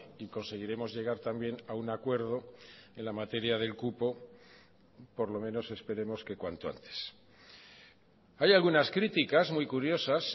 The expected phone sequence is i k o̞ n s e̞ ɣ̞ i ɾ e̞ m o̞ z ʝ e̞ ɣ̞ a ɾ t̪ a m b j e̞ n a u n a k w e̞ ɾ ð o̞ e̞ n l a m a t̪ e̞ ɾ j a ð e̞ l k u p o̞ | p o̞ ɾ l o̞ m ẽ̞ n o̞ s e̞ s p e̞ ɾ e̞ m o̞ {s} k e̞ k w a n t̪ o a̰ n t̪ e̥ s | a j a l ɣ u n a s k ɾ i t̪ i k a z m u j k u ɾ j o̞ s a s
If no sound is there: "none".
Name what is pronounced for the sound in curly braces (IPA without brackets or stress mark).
s